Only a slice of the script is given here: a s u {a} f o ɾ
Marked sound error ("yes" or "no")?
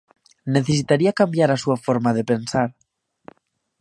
no